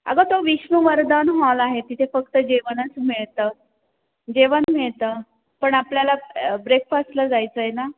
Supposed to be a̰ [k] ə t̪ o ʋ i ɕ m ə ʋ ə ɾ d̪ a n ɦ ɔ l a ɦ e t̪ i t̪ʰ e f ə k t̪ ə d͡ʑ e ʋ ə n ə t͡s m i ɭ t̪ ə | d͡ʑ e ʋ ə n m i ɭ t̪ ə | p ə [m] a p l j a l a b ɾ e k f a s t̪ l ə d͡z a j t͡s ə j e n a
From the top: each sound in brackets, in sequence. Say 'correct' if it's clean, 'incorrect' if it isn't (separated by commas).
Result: incorrect, incorrect